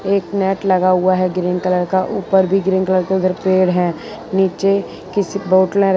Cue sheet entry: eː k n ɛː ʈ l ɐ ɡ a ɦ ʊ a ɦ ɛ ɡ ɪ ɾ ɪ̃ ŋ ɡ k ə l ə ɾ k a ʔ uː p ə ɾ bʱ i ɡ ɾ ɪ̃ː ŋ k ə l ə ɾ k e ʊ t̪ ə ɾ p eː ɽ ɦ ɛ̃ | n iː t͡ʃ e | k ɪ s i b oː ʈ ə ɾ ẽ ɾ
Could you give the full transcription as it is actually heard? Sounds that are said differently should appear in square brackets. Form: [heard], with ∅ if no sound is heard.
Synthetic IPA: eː k n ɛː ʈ l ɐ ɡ a ɦ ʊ a ɦ ɛ ɡ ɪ ɾ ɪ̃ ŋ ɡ k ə l ə ɾ k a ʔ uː p ə ɾ bʱ i ɡ ɾ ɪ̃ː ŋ k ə l ə ɾ k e ʊ [d̪] ə ɾ p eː ɽ ɦ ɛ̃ | n iː t͡ʃ e | k ɪ s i b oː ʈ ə [l] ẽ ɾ

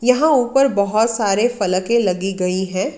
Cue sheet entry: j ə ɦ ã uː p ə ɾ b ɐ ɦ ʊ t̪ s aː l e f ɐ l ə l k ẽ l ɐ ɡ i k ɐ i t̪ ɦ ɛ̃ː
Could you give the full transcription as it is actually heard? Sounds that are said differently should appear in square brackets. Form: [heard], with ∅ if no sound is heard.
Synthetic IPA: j [ɐ] ɦ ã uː p ə ɾ b ɐ ɦ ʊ t̪ s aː [ɾ] e f ɐ l ə [∅] k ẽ l ɐ ɡ i [ɡ] ɐ i [∅] ɦ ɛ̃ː

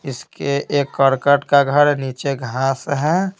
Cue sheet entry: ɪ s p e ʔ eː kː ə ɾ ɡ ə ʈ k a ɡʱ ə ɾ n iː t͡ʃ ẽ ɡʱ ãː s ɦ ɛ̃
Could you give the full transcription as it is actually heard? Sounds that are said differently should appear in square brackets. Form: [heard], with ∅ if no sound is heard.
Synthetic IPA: ɪ s [k] e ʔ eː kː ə ɾ [k] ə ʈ k a ɡʱ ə ɾ n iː t͡ʃ [e] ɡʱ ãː s ɦ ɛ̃

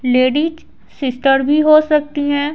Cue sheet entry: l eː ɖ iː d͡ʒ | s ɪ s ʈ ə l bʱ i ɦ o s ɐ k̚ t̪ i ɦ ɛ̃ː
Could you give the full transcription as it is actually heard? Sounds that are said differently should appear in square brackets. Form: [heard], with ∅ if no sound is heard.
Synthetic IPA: l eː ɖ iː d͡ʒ | s ɪ s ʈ ə [ɾ] bʱ i ɦ o s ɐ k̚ t̪ i ɦ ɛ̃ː

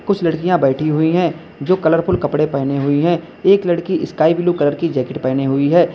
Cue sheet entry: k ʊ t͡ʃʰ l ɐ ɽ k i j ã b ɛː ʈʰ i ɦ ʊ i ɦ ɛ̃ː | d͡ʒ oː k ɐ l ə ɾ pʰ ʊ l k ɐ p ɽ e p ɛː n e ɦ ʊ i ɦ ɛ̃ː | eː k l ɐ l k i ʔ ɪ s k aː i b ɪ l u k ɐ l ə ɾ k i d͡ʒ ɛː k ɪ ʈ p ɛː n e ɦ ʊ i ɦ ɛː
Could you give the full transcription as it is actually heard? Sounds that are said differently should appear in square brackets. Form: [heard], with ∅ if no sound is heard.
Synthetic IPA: k ʊ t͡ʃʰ l ɐ ɽ k i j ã b ɛː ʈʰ i ɦ ʊ i ɦ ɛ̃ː | d͡ʒ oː k ɐ l ə ɾ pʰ ʊ l k ɐ p ɽ e p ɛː n e ɦ ʊ i ɦ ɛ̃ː | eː k l ɐ [ɽ] k i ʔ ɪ s k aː i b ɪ l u k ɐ l ə ɾ k i d͡ʒ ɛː k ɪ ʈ p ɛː n e ɦ ʊ i ɦ ɛː

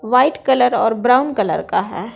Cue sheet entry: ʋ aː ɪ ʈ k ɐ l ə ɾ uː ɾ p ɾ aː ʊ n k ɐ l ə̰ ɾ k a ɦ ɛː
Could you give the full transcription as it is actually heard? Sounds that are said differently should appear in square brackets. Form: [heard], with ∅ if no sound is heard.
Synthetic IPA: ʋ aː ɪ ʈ k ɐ l ə ɾ [ɔː] ɾ [b] ɾ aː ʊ n k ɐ l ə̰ ɾ k a ɦ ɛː

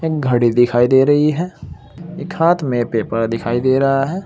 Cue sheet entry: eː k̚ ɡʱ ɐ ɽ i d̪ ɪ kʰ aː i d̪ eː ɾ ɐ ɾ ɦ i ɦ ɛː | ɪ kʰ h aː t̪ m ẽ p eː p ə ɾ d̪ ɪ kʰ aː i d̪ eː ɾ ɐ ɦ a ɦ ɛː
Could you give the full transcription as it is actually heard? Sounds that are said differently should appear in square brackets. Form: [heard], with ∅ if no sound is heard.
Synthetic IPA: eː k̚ ɡʱ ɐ ɽ i d̪ ɪ kʰ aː i d̪ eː ɾ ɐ [∅] ɦ i ɦ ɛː | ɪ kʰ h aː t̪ m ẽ p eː p ə ɾ d̪ ɪ kʰ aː i d̪ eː ɾ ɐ ɦ a ɦ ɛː

